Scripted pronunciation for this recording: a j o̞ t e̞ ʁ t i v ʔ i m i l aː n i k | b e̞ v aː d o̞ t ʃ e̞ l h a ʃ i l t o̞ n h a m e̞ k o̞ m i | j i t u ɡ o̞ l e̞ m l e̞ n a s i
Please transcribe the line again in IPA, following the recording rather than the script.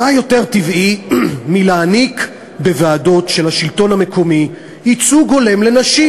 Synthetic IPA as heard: a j o̞ t e̞ ʁ t i v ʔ i m i l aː n i k | b e̞ v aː d o̞ t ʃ e̞ l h a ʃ i l t o̞ n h a m e̞ k o̞ m i | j i t͡s u ɡ o̞ l e̞ m l e̞ n a ʃ i